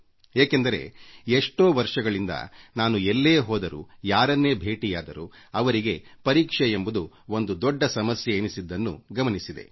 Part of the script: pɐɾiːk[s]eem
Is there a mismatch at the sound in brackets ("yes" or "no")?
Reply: yes